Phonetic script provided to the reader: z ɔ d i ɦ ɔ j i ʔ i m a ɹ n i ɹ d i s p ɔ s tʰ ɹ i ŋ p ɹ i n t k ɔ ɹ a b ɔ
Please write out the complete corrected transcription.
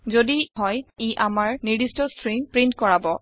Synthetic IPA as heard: z o d i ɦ ɔ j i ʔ a m a ɹ n i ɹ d i s t ɔ s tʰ ɹ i ŋ p ɹ i n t k ɔ ɹ a b ɔ